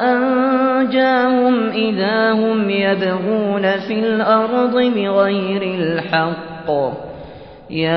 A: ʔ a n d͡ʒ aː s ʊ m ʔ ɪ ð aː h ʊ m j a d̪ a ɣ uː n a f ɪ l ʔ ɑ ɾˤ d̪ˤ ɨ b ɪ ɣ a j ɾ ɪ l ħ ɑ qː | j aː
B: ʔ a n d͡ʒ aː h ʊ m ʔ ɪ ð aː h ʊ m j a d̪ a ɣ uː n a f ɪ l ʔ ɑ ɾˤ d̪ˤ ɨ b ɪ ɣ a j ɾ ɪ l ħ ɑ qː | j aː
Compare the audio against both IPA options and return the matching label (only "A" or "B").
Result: B